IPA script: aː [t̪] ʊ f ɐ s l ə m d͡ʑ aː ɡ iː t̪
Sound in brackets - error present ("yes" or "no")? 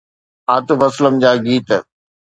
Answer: no